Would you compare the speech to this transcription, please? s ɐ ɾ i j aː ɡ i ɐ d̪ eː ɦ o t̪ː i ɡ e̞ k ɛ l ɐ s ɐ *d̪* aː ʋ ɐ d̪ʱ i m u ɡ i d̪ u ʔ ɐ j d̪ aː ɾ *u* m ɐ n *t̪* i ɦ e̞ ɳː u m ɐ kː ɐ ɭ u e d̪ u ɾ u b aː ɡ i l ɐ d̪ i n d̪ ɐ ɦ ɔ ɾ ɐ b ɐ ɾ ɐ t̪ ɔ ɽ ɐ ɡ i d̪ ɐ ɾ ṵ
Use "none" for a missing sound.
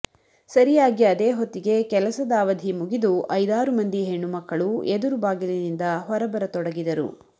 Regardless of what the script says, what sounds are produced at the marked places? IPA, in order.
d̪, u, d̪

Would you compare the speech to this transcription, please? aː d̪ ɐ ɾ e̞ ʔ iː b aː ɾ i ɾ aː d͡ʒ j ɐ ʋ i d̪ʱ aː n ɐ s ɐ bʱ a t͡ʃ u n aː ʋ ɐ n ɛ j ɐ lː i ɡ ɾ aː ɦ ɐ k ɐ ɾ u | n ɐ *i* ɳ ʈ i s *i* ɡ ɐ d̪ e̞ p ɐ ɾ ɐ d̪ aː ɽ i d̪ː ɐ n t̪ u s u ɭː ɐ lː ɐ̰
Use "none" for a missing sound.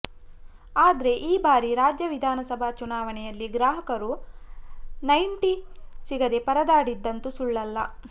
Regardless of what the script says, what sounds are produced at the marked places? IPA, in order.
j, i

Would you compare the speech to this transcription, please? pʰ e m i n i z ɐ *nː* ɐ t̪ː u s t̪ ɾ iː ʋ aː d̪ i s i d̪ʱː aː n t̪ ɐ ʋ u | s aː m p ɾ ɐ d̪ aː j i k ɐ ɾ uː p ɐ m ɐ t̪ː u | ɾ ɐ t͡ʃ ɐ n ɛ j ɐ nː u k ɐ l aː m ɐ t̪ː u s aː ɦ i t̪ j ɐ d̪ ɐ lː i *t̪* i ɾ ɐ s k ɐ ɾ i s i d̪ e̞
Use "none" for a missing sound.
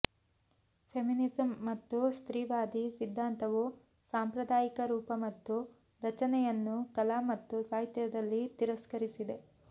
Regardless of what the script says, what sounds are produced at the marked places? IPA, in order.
mː, t̪

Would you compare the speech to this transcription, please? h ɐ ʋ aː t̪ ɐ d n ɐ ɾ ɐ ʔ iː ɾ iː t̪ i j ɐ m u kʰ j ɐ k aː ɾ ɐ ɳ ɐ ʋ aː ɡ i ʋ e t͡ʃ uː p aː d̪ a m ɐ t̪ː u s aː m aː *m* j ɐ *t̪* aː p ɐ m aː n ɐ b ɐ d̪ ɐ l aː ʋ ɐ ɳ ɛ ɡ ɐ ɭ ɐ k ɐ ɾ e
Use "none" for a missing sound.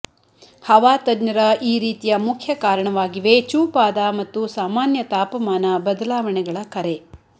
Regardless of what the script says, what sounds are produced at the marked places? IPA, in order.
n, t̪

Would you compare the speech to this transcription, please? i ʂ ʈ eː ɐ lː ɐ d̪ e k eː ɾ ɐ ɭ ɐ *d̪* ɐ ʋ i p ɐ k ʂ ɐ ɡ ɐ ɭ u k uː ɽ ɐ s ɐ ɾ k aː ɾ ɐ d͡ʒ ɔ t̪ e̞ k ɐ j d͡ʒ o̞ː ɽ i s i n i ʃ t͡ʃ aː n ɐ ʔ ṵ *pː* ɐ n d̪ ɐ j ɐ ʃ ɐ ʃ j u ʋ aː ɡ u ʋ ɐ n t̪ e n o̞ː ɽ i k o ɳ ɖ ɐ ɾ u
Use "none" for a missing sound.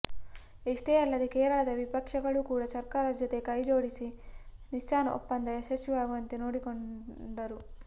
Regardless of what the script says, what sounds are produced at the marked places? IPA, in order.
d̪, pː

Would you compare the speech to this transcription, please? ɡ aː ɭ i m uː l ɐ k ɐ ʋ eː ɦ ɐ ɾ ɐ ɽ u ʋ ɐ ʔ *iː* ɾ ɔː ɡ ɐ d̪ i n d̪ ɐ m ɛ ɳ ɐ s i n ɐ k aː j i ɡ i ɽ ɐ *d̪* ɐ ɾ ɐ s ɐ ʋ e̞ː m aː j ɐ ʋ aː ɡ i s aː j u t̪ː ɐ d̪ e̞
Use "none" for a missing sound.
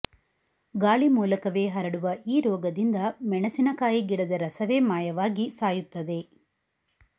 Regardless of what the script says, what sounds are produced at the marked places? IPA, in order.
iː, d̪

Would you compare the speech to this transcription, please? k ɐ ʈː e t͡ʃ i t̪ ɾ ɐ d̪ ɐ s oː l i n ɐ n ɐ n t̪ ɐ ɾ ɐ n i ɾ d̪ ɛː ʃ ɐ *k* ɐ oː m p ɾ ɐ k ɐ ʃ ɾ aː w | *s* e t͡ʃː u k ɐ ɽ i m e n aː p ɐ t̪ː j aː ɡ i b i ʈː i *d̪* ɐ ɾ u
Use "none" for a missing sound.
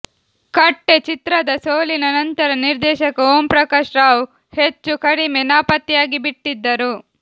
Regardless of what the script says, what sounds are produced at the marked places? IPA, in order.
k, h, d̪ː

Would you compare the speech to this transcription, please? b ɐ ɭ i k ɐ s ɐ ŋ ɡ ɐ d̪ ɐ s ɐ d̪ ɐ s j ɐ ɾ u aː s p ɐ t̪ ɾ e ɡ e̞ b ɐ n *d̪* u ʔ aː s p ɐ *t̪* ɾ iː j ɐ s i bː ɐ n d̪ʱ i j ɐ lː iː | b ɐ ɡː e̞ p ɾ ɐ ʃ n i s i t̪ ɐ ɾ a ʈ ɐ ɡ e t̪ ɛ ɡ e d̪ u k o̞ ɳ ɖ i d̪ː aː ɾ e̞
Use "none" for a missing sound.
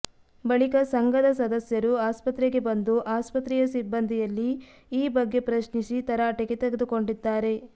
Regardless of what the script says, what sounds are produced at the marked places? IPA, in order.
d̪, t̪

